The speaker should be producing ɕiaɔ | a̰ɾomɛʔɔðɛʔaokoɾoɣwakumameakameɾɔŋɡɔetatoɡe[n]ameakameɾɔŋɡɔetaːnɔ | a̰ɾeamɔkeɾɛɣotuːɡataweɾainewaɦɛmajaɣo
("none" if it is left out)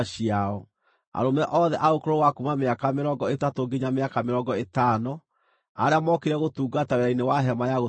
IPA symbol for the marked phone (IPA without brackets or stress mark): ɲ